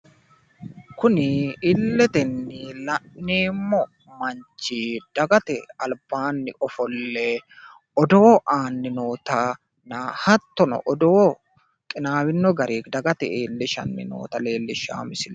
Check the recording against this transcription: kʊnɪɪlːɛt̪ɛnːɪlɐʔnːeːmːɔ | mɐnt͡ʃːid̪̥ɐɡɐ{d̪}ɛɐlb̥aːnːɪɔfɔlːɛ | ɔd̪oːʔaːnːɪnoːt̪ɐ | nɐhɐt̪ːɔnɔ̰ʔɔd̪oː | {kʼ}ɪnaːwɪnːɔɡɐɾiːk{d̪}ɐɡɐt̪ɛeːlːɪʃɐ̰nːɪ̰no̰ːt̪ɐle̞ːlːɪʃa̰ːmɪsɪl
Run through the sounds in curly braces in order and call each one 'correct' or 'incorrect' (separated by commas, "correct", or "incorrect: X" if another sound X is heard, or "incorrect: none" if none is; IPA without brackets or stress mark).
incorrect: t̪, correct, correct